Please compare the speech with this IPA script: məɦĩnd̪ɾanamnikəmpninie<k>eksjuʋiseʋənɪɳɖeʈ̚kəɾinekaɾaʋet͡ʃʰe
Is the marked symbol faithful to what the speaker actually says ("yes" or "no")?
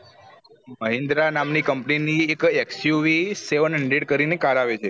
yes